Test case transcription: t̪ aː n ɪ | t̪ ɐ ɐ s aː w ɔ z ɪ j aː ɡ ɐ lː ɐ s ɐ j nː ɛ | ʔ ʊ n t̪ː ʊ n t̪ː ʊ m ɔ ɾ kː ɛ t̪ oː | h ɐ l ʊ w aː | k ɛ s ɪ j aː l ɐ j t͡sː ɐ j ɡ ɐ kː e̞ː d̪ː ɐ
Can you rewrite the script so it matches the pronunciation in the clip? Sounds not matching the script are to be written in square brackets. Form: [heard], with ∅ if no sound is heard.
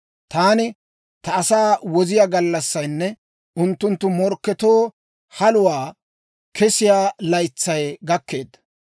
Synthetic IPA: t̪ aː n ɪ | t̪ ɐ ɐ s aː w ɔ z ɪ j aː ɡ ɐ lː ɐ [sː] ɐ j nː ɛ | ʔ ʊ n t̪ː ʊ n t̪ː ʊ m ɔ ɾ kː ɛ t̪ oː | h ɐ l ʊ w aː | k ɛ s ɪ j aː l ɐ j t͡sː ɐ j ɡ ɐ kː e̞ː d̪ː ɐ